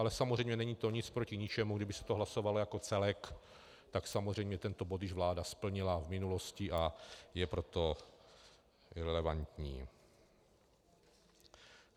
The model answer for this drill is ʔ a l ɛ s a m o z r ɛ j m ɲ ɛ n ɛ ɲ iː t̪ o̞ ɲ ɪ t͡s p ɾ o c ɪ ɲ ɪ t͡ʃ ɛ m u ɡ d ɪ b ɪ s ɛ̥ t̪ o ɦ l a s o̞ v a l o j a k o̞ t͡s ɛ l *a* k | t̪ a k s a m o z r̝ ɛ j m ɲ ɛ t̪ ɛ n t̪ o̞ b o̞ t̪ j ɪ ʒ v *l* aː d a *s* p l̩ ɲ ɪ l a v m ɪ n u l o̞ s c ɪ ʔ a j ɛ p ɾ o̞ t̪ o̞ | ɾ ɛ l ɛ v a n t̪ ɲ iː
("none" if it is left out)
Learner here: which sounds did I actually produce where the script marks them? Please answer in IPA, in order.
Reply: ɛ, l, s

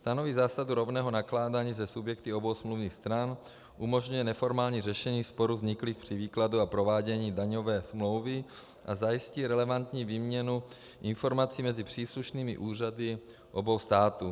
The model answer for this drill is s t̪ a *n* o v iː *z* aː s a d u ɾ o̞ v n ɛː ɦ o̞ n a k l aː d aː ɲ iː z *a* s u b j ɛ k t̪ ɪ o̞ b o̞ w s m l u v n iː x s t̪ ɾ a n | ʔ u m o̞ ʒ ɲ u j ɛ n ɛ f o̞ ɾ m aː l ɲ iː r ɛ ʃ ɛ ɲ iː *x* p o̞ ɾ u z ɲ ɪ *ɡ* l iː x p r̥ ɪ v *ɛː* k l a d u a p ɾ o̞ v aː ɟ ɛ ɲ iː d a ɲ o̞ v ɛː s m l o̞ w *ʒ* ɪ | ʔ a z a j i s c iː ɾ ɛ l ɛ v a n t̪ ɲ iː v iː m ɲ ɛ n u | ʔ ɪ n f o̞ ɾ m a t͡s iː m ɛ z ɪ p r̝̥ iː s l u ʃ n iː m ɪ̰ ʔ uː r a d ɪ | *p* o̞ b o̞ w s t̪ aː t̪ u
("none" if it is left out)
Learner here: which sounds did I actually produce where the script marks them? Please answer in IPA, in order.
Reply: n, z, ɛ, s, k, iː, v, ʔ

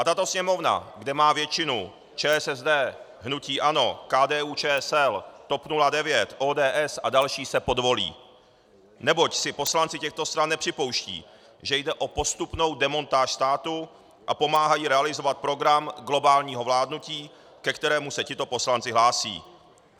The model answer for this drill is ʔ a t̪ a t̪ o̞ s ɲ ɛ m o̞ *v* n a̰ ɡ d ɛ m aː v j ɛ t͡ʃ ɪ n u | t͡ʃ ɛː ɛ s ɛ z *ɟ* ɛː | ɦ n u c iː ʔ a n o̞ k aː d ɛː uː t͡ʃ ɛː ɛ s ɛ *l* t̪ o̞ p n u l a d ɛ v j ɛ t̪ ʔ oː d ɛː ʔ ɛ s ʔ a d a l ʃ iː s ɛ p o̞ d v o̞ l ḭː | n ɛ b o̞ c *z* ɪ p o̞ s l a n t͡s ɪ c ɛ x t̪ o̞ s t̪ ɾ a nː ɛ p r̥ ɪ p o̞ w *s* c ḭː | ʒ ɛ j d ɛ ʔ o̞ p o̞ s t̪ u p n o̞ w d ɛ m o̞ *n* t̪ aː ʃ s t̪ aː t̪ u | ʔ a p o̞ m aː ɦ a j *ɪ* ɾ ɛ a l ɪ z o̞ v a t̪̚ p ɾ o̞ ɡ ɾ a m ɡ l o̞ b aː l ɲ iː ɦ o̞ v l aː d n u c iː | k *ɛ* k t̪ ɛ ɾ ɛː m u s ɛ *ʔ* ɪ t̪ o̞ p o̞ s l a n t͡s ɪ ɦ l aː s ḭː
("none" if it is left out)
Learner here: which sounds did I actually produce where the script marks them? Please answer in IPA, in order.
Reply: v, d, l, s, ʃ, n, i, ɛ, c

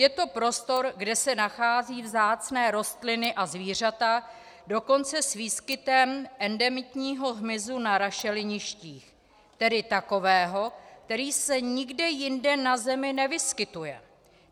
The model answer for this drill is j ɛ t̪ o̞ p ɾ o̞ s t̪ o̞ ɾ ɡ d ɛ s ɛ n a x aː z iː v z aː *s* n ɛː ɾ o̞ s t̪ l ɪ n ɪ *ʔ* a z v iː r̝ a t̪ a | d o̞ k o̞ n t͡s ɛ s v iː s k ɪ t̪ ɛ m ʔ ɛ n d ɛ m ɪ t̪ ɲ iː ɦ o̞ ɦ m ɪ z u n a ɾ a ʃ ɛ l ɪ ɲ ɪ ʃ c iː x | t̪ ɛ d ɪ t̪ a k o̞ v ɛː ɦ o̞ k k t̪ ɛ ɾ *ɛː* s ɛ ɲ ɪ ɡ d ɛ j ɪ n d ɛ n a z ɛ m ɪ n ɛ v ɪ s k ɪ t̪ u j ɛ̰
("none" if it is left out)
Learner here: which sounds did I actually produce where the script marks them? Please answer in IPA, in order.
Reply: t͡s, ʔ, iː

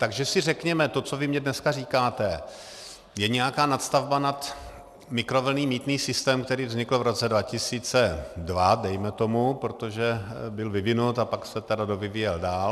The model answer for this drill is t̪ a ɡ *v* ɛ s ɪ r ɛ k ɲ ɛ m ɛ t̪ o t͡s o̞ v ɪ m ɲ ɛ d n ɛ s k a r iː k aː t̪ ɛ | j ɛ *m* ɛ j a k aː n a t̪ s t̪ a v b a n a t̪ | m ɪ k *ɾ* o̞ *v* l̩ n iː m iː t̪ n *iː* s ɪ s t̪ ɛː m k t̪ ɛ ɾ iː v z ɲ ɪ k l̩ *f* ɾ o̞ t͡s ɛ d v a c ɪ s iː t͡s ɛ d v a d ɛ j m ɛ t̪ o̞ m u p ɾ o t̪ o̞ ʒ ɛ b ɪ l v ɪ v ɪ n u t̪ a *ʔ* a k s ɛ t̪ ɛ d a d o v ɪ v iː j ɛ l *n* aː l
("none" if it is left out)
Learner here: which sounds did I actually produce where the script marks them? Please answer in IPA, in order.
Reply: ʒ, ɲ, ɾ, v, iː, v, p, d

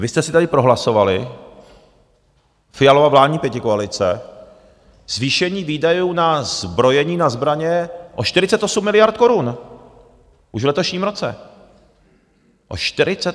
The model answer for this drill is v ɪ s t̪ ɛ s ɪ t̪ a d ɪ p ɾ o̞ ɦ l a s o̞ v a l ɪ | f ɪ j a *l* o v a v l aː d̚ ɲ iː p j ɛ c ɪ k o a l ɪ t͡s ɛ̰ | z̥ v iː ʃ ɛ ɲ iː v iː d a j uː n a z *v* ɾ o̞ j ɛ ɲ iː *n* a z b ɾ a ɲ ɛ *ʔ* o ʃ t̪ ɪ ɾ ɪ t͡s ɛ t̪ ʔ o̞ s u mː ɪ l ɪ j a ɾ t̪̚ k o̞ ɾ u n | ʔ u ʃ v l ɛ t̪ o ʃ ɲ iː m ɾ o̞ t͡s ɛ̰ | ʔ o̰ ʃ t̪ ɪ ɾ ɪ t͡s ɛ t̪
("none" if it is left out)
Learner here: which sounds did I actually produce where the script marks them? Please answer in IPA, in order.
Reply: l, b, n, ʔ

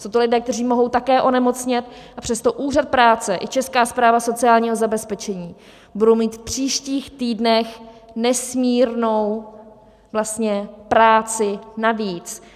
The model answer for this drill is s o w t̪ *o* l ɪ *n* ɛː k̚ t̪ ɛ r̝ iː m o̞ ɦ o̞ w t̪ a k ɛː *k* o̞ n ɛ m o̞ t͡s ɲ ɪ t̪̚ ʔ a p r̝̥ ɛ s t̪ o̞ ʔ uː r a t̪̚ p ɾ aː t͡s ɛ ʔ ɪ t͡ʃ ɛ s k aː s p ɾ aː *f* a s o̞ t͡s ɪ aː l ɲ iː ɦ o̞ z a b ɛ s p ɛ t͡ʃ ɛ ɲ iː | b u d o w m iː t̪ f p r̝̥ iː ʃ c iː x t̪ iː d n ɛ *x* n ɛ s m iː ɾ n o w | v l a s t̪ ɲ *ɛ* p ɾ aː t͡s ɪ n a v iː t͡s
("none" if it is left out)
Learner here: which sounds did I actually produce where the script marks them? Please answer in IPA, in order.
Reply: o, d, ʔ, v, x, ɛ

